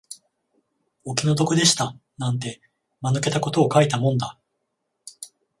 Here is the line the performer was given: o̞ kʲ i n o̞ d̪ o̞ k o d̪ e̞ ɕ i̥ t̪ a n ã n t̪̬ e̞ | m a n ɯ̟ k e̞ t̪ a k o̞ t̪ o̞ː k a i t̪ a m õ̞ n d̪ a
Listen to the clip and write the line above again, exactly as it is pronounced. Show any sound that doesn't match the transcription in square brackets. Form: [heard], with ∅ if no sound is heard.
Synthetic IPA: o̞ kʲ i n o̞ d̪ o̞ k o d̪ e̞ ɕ i̥ t̪ a n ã n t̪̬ e̞ | m a n ɯ̟ k e̞ t̪ a k o̞ t̪ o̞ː k a i t̪ a m õ̞ n d̪ a